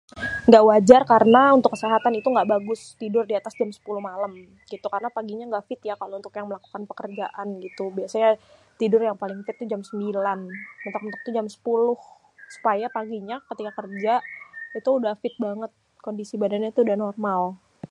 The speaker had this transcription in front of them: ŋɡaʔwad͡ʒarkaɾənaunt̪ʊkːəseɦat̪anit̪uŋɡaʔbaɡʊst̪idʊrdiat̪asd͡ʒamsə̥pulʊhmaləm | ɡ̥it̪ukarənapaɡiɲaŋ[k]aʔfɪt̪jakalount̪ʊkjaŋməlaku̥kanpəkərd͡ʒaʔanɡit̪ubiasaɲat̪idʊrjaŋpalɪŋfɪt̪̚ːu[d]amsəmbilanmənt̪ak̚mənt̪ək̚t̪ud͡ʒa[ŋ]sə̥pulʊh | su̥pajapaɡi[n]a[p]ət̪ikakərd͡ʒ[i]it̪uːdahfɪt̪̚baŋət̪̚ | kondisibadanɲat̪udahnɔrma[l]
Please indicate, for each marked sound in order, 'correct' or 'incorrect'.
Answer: incorrect, incorrect, incorrect, incorrect, incorrect, incorrect, correct

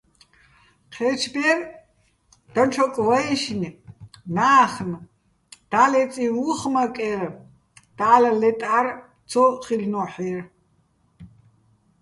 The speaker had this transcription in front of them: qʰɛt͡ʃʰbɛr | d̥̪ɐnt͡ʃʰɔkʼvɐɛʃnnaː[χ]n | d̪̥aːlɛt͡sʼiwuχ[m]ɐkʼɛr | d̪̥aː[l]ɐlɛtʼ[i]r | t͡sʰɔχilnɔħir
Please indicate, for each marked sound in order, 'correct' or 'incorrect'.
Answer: correct, correct, correct, incorrect

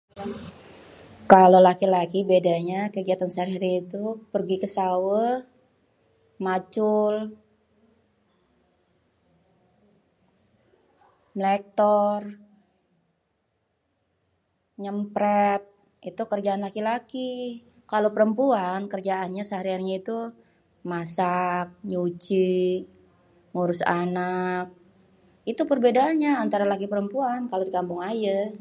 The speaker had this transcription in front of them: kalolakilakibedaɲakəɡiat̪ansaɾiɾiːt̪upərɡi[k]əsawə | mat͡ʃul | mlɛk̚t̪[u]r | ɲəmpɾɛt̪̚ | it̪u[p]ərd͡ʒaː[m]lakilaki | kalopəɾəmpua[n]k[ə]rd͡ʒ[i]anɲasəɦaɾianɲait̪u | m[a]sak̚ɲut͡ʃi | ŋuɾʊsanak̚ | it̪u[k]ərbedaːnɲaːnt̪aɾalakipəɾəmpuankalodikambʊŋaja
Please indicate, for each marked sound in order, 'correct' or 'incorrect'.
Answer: correct, incorrect, incorrect, incorrect, correct, correct, incorrect, correct, incorrect

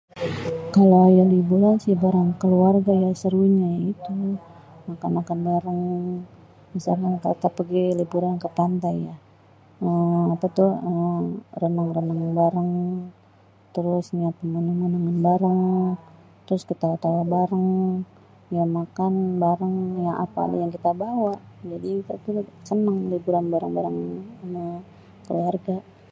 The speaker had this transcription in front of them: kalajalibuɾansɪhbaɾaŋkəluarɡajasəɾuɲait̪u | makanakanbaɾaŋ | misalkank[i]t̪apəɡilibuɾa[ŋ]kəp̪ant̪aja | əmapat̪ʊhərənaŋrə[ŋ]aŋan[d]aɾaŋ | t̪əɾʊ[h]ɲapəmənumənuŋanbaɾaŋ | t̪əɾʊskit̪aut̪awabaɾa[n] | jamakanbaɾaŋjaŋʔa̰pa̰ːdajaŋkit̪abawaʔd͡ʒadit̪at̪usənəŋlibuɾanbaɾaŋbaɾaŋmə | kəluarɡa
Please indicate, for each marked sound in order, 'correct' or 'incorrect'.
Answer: incorrect, incorrect, incorrect, incorrect, incorrect, incorrect

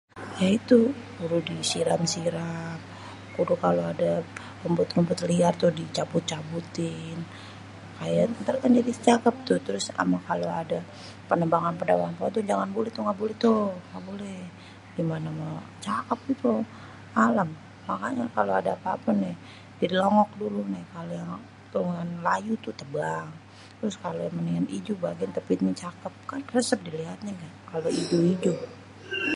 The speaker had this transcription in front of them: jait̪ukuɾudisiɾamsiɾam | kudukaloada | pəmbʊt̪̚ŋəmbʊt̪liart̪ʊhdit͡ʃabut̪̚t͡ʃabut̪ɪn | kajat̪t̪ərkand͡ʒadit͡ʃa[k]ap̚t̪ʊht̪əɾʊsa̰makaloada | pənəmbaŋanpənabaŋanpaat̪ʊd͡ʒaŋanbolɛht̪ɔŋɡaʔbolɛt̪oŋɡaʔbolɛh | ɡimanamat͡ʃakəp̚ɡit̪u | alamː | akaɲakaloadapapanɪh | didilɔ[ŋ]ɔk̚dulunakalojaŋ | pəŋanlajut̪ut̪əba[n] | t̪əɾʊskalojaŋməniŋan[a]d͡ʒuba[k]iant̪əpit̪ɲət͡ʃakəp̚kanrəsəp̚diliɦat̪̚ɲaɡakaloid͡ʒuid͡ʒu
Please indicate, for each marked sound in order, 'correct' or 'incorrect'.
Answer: correct, correct, incorrect, incorrect, incorrect

